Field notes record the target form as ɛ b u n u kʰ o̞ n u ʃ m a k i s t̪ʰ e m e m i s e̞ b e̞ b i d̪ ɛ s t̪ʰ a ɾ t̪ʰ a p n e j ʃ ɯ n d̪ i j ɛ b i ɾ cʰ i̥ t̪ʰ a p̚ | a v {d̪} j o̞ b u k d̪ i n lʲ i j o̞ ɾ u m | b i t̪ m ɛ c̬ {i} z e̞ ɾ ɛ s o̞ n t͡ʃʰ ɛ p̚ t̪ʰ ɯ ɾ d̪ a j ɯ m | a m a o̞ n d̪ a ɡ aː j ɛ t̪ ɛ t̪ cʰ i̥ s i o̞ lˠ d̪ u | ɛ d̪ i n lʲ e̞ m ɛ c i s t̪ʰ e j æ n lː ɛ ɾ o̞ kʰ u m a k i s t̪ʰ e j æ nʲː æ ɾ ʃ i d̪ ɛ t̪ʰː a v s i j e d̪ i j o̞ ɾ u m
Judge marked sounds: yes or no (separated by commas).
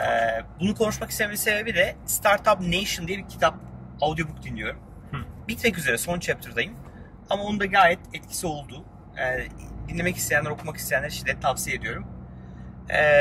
yes, no